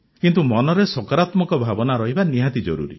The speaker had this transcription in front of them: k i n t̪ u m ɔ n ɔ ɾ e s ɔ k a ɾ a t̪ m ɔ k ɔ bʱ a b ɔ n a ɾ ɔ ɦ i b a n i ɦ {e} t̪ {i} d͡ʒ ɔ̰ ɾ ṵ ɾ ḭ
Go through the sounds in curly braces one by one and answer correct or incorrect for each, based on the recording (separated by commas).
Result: incorrect, correct